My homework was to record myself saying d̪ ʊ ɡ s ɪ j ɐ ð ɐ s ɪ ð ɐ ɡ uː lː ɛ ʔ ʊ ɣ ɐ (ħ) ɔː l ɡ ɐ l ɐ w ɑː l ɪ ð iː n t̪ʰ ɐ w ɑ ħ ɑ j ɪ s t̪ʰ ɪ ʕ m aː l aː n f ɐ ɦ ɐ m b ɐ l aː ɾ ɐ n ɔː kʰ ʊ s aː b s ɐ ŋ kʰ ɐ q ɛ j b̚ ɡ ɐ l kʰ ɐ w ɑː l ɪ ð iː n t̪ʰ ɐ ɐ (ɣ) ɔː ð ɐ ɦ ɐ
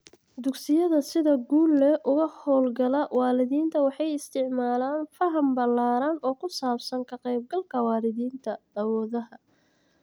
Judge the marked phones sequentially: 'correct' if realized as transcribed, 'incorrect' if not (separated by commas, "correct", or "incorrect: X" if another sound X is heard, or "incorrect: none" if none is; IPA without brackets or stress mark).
incorrect: h, incorrect: w